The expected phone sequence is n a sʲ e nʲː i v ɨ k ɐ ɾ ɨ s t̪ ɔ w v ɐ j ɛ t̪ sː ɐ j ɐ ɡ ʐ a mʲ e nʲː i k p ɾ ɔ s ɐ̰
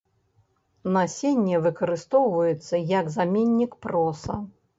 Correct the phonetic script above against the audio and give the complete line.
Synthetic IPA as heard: n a sʲ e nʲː ɛ v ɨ k ɐ ɾ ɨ s t̪ ɔ w v ɐ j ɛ t̪ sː ɐ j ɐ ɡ z a mʲ e nʲː i k p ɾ ɔ s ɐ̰